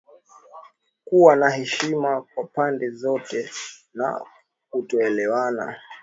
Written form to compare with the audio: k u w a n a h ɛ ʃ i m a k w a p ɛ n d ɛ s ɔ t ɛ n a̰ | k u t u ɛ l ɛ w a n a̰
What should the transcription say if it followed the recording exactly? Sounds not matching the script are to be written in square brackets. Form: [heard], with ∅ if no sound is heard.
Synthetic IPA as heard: k u w a n a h ɛ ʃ i m a k w a p [a] n d ɛ [z] ɔ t ɛ n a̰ | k u t [ɔ] ɛ l ɛ w a n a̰